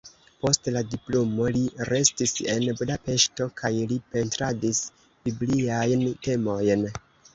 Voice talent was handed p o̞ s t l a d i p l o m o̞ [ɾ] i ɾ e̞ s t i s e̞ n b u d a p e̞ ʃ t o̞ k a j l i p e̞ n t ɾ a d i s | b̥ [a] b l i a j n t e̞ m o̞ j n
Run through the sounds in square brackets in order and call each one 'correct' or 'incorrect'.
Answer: incorrect: l, incorrect: i

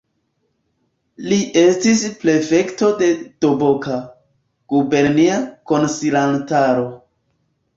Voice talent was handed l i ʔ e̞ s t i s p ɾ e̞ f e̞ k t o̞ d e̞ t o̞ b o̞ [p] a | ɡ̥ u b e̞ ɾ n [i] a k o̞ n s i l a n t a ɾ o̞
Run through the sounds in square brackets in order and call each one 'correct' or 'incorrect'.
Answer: incorrect: k, correct

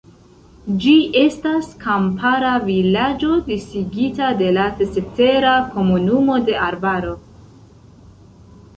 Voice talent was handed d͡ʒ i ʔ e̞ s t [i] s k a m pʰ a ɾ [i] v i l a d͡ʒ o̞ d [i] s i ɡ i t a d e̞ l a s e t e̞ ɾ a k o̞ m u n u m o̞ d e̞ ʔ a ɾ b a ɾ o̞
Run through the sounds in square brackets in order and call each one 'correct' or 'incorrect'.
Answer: incorrect: a, incorrect: a, correct

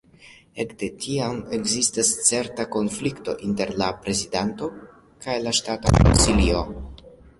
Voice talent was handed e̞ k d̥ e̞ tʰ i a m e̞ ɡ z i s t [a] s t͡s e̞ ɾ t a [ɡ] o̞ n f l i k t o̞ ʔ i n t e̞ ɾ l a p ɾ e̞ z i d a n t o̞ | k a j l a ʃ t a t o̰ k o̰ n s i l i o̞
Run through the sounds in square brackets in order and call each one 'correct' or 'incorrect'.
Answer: correct, incorrect: k

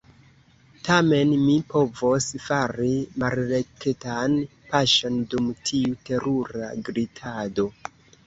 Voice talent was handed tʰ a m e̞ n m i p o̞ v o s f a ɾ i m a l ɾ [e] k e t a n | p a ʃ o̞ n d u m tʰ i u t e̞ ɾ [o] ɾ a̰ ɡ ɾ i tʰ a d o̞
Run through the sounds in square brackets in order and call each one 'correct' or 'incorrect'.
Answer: correct, incorrect: u

